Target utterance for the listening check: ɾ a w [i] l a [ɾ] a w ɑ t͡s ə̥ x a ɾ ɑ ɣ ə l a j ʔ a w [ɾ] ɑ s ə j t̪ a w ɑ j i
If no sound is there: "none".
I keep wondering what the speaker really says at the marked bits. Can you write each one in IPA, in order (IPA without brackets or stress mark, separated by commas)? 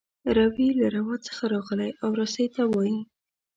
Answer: i, ɾ, ɾ